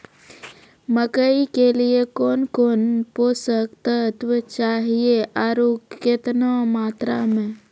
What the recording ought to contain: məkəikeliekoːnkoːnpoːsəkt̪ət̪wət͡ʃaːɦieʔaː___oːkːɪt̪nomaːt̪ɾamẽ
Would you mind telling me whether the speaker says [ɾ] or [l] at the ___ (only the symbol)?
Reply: ɾ